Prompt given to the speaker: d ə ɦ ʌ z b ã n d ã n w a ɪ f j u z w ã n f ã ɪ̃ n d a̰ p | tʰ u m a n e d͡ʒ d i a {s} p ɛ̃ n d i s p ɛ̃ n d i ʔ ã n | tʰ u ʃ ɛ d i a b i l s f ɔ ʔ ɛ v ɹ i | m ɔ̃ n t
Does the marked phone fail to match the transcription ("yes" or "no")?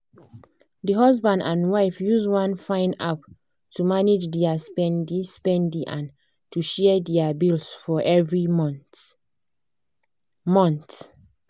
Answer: no